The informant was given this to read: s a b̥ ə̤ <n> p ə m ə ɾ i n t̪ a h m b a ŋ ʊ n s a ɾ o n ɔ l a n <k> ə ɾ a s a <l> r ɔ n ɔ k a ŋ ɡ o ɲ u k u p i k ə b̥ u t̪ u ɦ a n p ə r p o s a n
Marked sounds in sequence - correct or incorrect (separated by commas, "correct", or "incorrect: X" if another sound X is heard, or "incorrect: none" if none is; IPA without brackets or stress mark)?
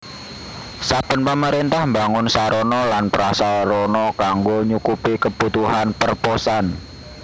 correct, incorrect: p, correct